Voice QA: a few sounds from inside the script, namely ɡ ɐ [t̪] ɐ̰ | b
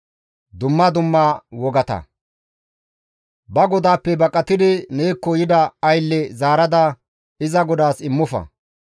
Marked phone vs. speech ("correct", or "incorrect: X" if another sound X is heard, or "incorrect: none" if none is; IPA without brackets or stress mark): correct